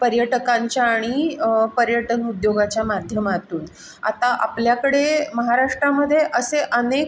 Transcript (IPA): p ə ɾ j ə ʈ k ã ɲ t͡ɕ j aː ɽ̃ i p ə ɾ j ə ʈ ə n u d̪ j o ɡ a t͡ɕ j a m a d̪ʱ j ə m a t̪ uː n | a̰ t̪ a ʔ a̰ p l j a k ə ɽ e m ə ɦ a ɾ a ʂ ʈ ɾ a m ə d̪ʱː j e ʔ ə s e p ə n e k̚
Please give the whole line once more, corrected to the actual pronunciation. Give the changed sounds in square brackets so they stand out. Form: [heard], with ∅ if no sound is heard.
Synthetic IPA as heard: p ə ɾ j ə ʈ k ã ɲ t͡ɕ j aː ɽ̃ i p ə ɾ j ə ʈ ə n u d̪ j o ɡ a t͡ɕ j a m a d̪ʱ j ə m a t̪ uː n | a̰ t̪ a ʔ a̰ p l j a k ə ɽ e m ə ɦ a ɾ a ʂ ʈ ɾ a m ə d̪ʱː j e ʔ ə s e [ʔ] ə n e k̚